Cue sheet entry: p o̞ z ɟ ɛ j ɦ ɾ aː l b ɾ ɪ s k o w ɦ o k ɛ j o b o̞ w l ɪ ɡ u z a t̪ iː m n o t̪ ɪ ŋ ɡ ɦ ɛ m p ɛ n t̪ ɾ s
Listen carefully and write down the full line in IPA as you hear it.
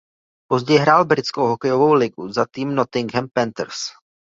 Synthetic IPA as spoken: p o̞ z ɟ ɛ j ɦ ɾ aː l b ɾ ɪ t͡s k o w ɦ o k ɛ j o v o̞ w l ɪ ɡ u z a t̪ iː m n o t̪ ɪ ŋ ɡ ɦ ɛ m p ɛ n t̪ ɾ s